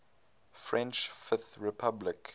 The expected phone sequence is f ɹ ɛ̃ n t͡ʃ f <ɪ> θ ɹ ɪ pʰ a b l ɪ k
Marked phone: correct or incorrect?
correct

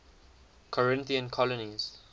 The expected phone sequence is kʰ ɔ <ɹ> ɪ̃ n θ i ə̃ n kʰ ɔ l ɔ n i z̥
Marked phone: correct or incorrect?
correct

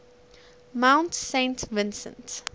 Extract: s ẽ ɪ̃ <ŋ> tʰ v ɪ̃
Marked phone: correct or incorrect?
incorrect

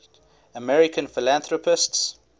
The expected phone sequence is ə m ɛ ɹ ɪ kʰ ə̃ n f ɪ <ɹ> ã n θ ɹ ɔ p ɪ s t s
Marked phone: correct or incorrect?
incorrect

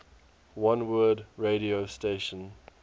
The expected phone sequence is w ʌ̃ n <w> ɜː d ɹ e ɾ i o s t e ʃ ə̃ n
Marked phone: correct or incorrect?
correct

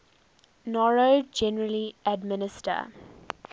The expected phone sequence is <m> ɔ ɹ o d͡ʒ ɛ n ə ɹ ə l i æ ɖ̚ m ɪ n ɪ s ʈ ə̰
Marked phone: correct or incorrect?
incorrect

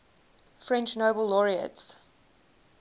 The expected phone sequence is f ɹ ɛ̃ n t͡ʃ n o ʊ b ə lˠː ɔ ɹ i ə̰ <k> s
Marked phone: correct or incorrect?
incorrect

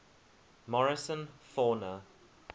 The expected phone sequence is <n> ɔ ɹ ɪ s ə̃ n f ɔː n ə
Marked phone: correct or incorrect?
incorrect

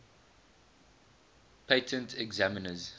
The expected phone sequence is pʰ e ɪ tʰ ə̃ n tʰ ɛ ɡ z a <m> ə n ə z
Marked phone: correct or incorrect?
correct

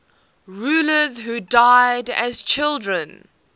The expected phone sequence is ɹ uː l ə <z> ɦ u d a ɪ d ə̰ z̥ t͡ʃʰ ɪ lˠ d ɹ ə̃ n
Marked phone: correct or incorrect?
correct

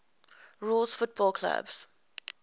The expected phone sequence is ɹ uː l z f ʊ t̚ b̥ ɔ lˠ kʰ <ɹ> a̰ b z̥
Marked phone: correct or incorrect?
incorrect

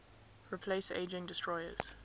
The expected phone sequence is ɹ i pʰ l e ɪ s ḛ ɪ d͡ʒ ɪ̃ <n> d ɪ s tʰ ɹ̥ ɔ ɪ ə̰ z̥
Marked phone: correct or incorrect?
incorrect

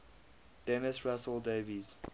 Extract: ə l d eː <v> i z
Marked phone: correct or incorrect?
correct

